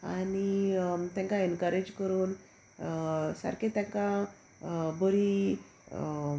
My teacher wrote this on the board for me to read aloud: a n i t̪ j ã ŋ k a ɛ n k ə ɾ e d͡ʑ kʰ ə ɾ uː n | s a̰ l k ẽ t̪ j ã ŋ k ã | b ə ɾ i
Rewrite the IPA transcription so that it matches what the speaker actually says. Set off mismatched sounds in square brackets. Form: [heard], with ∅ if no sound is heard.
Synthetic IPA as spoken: a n i t̪ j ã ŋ k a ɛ n k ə ɾ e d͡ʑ [k] ə ɾ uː n | s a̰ [ɾ] k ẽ t̪ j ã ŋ k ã | b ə ɾ i